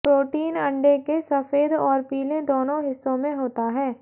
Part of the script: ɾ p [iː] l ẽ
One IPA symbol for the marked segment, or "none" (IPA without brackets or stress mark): iː